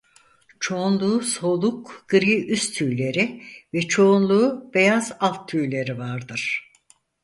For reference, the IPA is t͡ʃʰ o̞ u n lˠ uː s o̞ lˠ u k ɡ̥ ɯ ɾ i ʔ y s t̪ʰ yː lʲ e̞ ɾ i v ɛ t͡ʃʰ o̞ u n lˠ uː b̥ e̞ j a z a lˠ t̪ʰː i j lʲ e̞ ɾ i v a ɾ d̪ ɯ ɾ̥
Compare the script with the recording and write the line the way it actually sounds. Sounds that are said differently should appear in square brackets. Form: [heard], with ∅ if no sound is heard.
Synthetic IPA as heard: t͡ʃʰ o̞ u n lˠ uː s o̞ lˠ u k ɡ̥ ɯ ɾ i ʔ y s t̪ʰ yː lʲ e̞ ɾ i v ɛ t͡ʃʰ o̞ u n lˠ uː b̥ e̞ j a z a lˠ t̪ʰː [y] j lʲ e̞ ɾ i v a ɾ d̪ ɯ ɾ̥